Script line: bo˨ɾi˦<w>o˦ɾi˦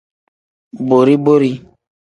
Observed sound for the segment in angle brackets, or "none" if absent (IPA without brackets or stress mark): b